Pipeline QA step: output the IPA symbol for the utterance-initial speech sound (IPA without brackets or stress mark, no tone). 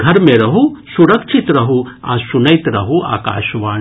ɡʱ